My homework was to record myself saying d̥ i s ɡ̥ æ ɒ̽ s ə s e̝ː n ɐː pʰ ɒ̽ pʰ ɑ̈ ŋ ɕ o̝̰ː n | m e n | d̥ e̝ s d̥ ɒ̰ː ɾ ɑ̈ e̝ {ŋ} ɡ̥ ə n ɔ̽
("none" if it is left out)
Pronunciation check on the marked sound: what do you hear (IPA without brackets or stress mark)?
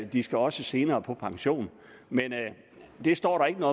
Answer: none